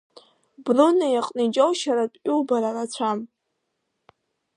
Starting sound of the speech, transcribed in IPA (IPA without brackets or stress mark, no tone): b